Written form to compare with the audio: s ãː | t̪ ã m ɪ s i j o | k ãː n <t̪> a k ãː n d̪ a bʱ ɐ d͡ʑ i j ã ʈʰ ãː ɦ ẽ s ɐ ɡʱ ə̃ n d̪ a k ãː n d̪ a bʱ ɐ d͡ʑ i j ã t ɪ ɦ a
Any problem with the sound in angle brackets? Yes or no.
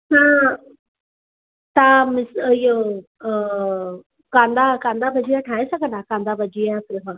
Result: yes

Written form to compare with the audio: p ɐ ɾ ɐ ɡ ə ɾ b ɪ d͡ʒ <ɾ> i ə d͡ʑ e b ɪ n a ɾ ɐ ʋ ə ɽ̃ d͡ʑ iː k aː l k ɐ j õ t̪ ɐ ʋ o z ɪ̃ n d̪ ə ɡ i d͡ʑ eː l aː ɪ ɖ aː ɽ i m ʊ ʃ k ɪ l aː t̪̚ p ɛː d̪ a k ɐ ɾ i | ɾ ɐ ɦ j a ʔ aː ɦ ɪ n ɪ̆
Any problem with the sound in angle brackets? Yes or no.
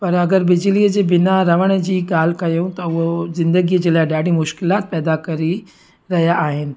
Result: yes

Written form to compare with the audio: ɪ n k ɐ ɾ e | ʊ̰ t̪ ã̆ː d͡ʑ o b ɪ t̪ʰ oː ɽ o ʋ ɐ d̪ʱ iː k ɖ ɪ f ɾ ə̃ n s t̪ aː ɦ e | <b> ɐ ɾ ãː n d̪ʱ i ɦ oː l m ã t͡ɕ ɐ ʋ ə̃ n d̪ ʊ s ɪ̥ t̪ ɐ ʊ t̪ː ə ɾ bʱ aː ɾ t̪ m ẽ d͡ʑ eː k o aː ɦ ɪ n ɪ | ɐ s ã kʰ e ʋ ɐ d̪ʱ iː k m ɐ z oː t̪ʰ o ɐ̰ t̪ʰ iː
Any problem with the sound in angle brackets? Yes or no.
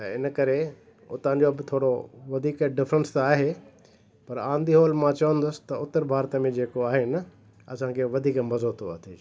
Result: yes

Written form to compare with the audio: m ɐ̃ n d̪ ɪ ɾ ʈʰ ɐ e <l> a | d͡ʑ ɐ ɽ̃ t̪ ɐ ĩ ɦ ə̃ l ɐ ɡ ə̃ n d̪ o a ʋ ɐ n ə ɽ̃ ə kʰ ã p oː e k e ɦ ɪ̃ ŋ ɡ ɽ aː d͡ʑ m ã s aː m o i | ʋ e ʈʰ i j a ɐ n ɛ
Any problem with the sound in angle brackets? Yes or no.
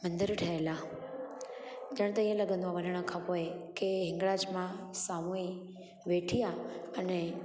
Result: no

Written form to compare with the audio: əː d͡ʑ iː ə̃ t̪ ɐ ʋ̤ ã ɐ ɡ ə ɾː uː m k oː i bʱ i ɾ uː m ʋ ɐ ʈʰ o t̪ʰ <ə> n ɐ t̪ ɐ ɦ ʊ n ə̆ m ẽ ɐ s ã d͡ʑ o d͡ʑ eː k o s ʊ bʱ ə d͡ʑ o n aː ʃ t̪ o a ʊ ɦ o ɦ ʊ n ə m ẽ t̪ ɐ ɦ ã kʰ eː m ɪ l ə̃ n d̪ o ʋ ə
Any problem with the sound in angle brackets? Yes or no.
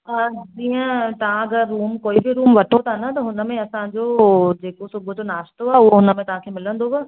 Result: yes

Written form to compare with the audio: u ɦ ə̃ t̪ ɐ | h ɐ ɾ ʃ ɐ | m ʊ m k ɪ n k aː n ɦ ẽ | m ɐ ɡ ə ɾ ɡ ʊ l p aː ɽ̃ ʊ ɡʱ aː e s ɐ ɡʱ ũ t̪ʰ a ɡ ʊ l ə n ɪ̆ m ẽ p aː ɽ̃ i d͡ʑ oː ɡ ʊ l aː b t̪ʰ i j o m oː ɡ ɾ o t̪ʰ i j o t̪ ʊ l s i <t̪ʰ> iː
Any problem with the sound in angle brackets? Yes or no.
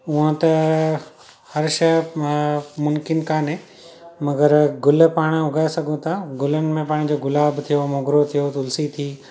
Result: no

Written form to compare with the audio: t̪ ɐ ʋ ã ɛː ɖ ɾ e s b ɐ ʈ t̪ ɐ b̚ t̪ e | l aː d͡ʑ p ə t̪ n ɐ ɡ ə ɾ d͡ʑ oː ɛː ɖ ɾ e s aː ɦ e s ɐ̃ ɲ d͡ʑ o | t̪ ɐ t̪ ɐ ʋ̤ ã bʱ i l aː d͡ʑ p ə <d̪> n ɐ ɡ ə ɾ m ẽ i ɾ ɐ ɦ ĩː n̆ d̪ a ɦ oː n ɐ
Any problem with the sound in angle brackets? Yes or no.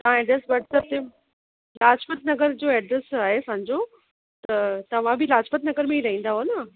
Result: yes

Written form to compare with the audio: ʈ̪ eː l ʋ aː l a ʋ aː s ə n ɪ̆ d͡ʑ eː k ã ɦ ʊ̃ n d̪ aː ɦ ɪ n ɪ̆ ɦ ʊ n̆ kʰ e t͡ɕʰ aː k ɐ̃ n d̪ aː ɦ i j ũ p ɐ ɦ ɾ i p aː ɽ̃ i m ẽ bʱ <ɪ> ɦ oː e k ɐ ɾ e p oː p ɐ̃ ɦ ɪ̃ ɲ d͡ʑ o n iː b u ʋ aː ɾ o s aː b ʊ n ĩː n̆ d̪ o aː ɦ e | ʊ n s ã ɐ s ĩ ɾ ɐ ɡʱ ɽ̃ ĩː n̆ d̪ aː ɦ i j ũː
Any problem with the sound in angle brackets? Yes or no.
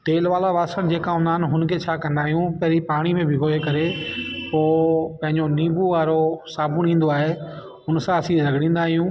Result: no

